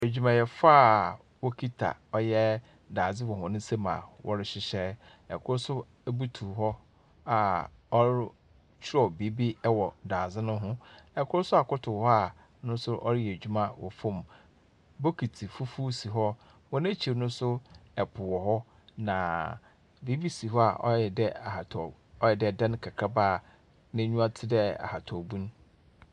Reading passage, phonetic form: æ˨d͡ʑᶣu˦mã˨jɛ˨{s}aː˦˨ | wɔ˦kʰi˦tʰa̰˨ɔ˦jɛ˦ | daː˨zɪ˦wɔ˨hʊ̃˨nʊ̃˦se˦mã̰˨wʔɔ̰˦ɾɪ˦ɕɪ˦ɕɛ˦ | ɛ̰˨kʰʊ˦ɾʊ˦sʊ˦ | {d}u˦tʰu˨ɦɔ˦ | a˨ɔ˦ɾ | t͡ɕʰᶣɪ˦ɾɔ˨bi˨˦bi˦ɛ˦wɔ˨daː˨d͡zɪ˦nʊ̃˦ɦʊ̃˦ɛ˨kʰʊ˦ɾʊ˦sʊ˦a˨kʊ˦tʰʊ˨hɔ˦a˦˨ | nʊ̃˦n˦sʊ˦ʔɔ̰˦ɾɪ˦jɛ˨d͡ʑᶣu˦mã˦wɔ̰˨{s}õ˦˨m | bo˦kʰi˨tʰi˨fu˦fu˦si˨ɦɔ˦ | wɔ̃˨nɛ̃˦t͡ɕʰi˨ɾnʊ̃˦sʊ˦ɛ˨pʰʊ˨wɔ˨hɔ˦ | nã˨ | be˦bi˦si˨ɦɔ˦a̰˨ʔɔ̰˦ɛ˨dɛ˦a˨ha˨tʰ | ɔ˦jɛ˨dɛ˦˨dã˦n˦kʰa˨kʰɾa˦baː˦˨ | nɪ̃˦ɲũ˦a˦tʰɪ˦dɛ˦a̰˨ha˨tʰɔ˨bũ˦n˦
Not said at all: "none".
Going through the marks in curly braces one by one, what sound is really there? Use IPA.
f, b, f

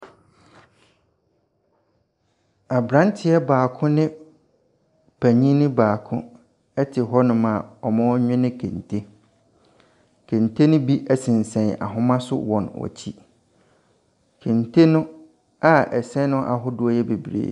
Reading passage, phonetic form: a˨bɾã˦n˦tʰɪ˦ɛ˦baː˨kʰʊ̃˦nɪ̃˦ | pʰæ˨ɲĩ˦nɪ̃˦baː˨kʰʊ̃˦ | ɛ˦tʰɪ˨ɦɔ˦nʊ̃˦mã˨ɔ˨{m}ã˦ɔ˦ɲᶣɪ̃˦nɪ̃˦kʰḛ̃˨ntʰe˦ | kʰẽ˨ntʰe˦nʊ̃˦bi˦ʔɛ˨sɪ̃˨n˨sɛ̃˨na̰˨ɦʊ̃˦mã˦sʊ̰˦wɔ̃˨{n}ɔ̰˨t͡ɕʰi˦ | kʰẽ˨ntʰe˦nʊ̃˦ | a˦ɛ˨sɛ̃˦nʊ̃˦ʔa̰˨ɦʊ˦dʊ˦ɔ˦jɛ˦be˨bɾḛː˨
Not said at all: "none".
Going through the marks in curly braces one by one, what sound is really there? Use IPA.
m, n

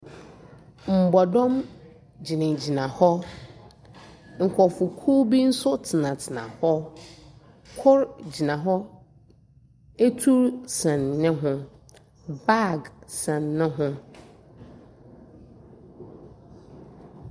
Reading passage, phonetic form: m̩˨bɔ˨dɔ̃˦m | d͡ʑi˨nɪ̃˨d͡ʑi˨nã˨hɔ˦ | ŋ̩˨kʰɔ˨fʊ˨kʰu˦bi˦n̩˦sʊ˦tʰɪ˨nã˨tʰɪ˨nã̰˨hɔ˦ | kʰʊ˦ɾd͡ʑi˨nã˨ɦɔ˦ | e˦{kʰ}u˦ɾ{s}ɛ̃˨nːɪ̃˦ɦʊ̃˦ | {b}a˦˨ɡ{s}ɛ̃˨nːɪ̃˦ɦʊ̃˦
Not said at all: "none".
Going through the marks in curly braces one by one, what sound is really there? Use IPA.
tʰ, s, b, s

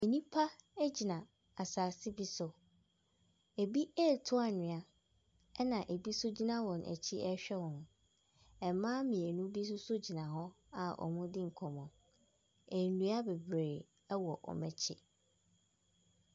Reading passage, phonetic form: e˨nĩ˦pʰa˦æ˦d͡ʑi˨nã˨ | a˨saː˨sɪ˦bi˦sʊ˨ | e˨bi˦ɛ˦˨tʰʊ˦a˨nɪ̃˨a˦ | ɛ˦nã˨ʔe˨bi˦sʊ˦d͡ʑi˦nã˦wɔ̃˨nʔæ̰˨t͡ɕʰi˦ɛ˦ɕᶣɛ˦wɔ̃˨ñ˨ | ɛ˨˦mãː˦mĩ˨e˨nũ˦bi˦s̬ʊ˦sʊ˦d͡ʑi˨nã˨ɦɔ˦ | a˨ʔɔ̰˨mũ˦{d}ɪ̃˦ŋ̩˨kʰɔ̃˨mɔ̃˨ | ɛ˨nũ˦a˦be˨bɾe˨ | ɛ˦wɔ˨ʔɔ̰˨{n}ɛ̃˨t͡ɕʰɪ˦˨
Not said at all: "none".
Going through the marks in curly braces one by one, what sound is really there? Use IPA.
d, m

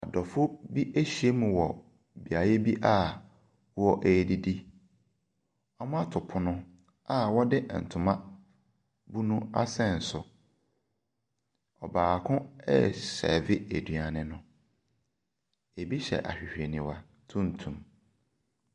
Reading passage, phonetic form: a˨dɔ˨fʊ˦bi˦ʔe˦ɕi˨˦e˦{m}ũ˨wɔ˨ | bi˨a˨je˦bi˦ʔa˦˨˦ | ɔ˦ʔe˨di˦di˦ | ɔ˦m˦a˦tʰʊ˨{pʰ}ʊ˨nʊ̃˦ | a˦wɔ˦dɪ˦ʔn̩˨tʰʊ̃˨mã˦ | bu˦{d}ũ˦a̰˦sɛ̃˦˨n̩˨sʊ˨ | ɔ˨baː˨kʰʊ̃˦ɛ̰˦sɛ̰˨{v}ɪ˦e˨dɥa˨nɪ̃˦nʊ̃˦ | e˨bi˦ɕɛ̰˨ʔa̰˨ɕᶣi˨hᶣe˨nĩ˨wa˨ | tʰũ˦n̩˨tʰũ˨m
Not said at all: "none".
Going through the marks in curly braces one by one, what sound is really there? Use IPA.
m, pʰ, n, v

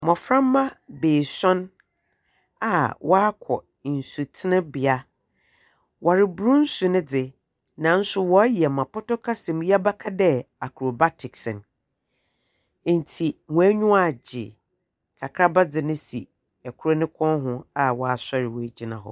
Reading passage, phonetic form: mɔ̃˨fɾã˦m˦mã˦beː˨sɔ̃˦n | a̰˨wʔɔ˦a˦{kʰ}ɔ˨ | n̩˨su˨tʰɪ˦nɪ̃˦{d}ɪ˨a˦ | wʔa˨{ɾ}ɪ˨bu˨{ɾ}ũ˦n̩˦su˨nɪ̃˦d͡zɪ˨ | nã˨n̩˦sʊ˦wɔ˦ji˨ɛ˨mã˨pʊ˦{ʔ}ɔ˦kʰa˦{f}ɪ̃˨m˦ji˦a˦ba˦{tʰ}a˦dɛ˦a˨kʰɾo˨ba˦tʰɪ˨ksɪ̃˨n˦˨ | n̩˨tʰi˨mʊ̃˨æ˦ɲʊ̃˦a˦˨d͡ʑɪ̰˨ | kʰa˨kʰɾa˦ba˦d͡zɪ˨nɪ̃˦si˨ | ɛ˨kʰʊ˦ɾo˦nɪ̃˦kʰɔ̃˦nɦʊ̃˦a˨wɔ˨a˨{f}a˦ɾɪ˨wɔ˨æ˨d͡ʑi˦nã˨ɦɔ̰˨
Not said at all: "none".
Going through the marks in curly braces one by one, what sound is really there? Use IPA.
kʰ, b, ɾ, ɾ, t, s, kʰ, s

